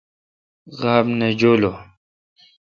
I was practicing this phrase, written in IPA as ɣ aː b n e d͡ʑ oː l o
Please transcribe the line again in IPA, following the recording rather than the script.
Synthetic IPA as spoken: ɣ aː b n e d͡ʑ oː l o